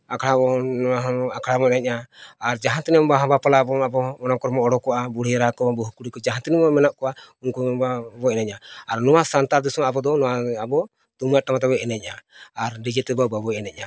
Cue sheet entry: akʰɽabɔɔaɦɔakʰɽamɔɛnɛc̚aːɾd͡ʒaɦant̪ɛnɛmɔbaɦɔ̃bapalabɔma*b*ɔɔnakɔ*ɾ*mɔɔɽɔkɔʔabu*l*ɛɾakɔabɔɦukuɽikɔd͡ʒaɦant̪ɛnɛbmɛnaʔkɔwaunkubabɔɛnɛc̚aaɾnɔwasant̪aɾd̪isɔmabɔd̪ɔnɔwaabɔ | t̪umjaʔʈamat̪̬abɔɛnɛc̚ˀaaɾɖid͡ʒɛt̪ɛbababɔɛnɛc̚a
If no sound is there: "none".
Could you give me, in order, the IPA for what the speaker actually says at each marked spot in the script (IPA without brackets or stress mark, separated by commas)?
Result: b, ɾ, ɽ